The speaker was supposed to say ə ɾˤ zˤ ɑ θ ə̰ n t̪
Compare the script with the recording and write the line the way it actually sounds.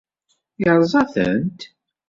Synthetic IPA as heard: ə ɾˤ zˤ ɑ θ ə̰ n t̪